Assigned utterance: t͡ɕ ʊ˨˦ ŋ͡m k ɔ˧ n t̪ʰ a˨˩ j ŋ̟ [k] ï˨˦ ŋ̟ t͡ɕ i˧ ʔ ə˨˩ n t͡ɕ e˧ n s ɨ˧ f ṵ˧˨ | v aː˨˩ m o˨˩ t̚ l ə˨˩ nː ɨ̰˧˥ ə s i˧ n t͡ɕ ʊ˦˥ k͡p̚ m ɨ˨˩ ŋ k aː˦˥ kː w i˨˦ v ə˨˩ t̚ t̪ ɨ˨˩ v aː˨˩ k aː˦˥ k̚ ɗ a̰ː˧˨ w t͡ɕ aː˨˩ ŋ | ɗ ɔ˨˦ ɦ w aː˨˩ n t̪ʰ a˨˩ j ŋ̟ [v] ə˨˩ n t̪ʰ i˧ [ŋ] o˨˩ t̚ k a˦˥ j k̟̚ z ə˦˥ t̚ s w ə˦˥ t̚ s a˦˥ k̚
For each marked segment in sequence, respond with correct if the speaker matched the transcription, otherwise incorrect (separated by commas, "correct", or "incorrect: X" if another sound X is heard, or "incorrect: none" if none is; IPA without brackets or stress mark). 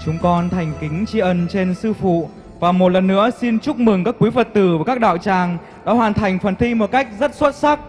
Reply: correct, incorrect: f, incorrect: m